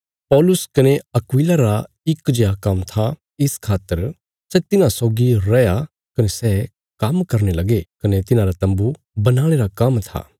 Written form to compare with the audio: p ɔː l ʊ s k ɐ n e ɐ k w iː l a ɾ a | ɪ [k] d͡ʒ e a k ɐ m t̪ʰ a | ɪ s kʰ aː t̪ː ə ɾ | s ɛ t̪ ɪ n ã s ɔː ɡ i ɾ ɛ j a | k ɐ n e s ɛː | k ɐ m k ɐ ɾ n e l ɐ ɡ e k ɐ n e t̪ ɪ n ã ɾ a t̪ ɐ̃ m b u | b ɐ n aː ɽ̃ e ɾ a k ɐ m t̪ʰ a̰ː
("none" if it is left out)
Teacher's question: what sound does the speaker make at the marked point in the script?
k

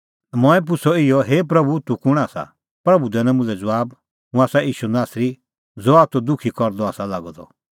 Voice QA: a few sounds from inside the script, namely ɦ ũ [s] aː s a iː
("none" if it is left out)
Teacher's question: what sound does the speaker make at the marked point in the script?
none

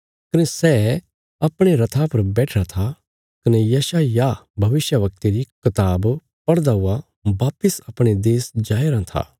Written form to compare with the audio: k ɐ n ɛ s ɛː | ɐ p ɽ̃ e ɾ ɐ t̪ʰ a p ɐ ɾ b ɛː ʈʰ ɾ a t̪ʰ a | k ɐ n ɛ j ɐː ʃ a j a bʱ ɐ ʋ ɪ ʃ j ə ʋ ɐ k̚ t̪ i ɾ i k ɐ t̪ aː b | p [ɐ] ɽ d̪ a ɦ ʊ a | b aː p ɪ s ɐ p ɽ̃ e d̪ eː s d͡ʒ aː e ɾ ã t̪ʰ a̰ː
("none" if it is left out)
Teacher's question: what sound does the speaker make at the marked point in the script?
ɐ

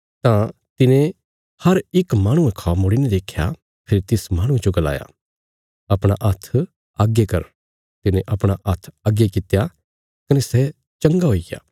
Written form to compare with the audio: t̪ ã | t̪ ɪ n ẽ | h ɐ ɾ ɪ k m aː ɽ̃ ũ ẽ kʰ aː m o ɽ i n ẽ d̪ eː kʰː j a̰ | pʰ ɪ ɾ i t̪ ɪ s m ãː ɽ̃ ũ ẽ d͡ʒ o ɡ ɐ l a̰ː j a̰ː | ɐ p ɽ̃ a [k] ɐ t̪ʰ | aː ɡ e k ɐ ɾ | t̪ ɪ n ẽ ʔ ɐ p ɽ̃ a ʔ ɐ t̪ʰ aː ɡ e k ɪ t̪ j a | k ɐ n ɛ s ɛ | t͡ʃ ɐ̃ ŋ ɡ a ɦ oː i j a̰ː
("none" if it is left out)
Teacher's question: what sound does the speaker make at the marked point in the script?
ʔ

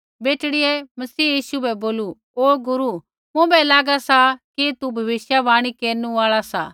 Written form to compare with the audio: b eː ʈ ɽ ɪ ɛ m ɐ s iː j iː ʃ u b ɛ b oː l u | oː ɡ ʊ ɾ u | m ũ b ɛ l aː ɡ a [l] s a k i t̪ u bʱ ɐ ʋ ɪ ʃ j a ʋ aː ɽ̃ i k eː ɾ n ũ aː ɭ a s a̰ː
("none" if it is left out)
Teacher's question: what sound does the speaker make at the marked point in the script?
none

